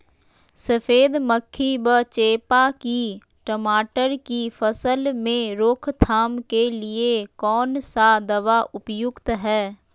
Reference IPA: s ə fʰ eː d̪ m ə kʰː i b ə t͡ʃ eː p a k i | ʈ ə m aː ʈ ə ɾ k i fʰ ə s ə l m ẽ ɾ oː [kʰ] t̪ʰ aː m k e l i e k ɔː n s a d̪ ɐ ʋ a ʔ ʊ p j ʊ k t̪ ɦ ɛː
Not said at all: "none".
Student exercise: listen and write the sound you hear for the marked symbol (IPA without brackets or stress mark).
kʰ